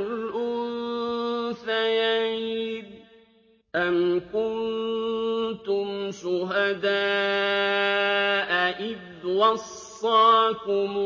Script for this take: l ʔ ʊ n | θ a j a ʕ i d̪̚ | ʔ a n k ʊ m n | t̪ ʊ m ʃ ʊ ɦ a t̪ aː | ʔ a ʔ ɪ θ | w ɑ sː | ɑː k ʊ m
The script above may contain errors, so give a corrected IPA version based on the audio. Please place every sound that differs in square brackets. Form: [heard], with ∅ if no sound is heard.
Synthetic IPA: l ʔ ʊ n | θ a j a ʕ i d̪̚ | ʔ a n k ʊ [n] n | t̪ ʊ m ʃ ʊ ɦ a [d̪] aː | ʔ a ʔ ɪ [ð] | w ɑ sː | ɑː k ʊ m